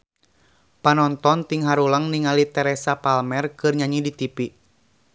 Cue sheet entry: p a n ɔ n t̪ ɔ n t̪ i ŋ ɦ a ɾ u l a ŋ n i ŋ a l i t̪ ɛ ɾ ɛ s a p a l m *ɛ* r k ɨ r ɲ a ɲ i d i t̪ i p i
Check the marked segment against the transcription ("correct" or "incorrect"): correct